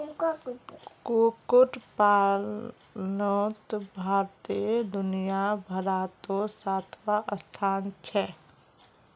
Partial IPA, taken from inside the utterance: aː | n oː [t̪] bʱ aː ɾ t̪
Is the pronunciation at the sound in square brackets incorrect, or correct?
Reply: correct